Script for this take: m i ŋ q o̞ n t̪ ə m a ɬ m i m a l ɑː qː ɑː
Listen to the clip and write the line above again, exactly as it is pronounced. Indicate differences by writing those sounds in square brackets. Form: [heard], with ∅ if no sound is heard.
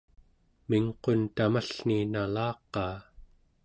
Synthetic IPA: m i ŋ q o̞ n t̪ [a] m a ɬ [n] i [n] a l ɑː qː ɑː